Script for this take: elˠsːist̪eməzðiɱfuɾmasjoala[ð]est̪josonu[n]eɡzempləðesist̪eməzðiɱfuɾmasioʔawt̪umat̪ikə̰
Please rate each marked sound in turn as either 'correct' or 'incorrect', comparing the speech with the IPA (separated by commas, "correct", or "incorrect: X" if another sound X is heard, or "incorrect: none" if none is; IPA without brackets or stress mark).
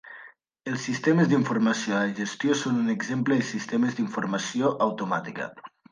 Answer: incorrect: ʒ, correct